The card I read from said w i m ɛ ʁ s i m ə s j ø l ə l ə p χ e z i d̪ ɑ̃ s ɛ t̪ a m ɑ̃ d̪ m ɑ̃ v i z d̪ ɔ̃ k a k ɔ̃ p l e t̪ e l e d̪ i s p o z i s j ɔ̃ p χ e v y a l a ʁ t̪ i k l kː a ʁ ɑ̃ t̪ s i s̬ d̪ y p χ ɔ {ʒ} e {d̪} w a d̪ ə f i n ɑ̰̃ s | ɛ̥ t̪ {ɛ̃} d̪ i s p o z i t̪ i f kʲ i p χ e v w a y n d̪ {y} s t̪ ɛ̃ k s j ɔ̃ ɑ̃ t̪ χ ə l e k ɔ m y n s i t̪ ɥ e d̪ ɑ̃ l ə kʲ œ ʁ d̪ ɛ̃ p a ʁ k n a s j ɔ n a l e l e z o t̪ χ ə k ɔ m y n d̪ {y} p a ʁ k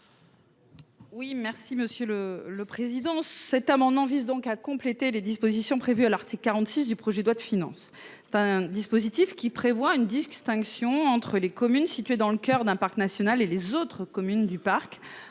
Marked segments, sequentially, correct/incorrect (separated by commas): correct, correct, correct, incorrect, correct